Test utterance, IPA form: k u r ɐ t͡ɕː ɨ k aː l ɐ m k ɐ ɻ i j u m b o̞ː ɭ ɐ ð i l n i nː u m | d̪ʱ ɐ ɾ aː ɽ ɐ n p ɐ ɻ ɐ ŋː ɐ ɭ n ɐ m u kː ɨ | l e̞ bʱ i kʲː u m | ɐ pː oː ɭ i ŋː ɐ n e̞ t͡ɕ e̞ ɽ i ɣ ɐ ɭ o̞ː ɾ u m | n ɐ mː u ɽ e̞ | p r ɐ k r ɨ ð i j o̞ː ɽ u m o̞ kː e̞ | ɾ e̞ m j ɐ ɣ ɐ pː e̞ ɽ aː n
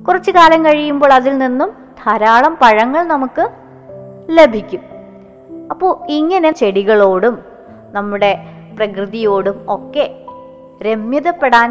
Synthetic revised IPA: k u r ɐ t͡ɕː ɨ k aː l ɐ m k ɐ ɻ i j u m b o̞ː ɭ ɐ ð i l n i nː u m | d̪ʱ ɐ ɾ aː ɭ ɐ m p ɐ ɻ ɐ ŋː ɐ ɭ n ɐ m u kː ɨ | l e̞ bʱ i kʲː u m | ɐ pː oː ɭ i ŋː ɐ n e̞ t͡ɕ e̞ ɽ i ɣ ɐ ɭ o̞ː ɽ u m | n ɐ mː u ɽ e̞ | p r ɐ k r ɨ ð i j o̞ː ɽ u m o̞ kː e̞ | ɾ e̞ m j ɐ ð ɐ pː e̞ ɽ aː n